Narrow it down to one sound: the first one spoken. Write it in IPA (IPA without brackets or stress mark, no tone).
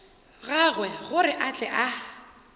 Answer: ɣ